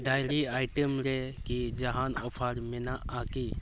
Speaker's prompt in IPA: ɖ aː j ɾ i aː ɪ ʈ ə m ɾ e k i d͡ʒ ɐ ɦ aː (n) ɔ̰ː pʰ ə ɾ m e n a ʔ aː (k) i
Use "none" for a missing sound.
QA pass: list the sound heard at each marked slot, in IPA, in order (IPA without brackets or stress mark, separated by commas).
n, k